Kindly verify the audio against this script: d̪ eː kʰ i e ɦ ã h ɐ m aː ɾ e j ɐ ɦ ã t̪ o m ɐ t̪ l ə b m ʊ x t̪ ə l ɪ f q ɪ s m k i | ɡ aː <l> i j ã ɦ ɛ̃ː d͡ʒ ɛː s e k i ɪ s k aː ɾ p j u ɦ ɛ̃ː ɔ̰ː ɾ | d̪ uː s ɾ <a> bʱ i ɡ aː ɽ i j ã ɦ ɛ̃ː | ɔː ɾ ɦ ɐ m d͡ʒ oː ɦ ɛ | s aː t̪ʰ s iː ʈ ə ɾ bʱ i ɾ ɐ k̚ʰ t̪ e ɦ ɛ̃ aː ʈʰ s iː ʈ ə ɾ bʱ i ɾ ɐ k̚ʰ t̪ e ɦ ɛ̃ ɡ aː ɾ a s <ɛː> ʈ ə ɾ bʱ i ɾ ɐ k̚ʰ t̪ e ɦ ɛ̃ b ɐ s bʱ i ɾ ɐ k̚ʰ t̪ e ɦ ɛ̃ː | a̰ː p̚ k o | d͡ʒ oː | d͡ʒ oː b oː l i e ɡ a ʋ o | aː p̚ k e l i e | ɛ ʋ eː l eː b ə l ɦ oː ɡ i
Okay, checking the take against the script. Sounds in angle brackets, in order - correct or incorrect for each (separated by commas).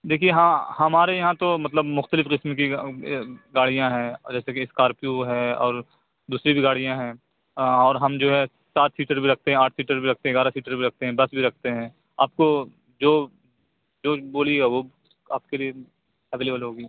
incorrect, incorrect, incorrect